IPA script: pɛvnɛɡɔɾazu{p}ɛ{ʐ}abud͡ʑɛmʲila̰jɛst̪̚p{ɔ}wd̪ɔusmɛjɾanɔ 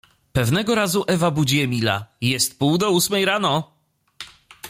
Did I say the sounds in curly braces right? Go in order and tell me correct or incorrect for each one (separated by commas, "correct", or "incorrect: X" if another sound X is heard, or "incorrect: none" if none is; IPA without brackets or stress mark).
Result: incorrect: ʔ, incorrect: v, incorrect: u